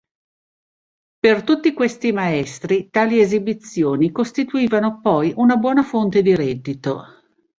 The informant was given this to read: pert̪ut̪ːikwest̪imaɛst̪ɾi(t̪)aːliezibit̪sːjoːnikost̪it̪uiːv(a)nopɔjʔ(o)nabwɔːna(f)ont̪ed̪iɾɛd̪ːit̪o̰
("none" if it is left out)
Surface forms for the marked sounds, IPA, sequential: t̪, a, u, f

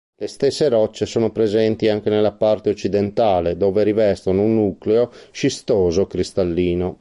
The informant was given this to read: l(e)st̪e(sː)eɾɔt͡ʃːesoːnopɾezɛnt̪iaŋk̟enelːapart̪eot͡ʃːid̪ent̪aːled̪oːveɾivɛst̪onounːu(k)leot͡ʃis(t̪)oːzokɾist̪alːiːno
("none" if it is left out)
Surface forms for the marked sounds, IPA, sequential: e, sː, k, t̪

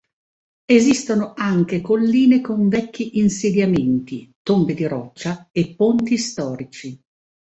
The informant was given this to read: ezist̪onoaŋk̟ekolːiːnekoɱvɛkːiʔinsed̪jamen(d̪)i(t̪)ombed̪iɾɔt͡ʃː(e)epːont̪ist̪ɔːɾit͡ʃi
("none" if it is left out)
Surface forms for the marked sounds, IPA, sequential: t̪, t̪, a

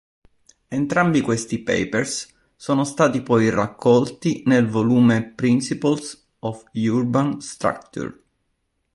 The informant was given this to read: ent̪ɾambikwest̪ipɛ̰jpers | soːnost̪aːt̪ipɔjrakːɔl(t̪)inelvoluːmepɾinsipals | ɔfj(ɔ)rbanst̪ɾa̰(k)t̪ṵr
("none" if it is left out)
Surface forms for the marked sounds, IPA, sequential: t̪, u, k

